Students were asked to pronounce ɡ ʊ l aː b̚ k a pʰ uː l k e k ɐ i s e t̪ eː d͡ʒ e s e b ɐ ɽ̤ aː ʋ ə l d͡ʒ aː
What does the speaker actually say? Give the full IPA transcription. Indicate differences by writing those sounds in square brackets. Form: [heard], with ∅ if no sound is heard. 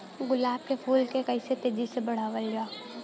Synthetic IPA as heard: ɡ ʊ l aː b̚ k [e] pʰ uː l k e k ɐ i s e t̪ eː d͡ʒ [i] s e b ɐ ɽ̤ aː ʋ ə l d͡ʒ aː